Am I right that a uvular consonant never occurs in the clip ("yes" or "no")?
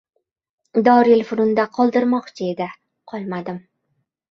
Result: no